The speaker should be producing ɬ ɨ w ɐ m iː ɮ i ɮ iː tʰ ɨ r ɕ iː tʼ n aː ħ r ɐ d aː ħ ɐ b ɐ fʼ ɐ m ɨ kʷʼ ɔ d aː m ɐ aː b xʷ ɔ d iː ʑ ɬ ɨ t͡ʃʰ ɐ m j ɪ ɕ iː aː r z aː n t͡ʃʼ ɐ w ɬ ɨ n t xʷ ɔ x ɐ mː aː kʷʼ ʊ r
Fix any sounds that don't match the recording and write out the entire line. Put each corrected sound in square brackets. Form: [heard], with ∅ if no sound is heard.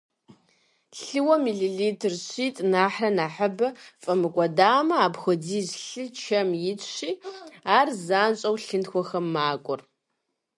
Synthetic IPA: ɬ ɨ w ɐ m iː ɮ i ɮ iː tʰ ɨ r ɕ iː tʼ n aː ħ r ɐ [n] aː ħ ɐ b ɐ fʼ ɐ m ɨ kʷʼ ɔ d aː m ɐ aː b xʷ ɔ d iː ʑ ɬ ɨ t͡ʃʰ ɐ m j ɪ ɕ iː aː r z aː n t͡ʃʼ ɐ w ɬ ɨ n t xʷ ɔ x ɐ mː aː kʷʼ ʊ r